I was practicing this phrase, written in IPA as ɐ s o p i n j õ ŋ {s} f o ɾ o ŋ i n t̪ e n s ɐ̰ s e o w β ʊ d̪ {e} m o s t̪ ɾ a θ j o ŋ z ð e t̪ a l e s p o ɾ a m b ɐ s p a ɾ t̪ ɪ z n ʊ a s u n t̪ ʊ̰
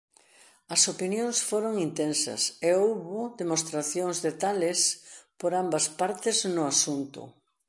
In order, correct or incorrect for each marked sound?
correct, correct

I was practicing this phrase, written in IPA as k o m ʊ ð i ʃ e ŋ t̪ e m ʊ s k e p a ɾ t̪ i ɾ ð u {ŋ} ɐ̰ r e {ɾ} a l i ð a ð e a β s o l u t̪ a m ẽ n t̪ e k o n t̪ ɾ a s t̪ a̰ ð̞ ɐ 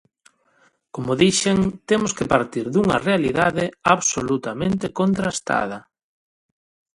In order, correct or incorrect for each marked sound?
correct, incorrect

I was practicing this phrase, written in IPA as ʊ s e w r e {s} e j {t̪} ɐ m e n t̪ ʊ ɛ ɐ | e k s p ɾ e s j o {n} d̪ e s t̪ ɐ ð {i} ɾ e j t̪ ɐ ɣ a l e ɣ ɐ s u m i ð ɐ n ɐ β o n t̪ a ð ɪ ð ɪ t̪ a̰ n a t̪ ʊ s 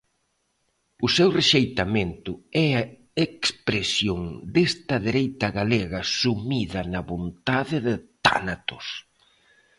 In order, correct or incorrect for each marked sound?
incorrect, correct, incorrect, incorrect

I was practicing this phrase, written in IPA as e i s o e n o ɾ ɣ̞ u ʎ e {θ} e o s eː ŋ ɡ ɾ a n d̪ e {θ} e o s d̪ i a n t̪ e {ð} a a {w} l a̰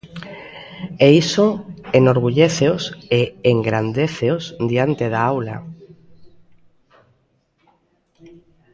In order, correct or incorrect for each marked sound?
correct, correct, correct, correct

